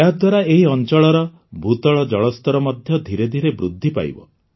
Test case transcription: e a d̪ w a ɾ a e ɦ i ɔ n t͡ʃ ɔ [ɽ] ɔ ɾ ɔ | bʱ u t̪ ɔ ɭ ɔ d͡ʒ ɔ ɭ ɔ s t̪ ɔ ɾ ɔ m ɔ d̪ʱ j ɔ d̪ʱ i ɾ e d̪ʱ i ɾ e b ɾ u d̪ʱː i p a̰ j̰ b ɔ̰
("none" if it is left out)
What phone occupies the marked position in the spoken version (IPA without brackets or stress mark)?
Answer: ɭ